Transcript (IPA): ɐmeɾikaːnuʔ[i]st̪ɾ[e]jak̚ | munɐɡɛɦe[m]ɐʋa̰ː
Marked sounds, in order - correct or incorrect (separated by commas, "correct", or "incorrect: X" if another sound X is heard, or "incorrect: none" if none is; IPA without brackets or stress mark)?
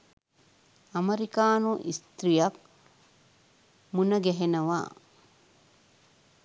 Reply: correct, incorrect: i, incorrect: n